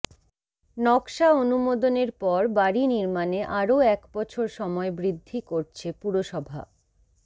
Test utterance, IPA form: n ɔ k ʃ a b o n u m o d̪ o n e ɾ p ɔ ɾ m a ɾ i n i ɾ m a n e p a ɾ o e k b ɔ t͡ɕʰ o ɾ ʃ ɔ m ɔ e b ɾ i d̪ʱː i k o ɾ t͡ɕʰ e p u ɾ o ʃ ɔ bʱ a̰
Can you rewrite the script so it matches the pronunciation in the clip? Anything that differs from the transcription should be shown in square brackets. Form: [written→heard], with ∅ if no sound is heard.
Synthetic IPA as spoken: n ɔ k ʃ a [b→∅] o n u m o d̪ o n e ɾ p ɔ ɾ [m→b] a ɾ i n i ɾ m a n e [p→ʔ] a ɾ o [e→ɛ] k b ɔ t͡ɕʰ o ɾ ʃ ɔ m ɔ e b ɾ i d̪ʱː i k o ɾ t͡ɕʰ e p u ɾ o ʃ ɔ bʱ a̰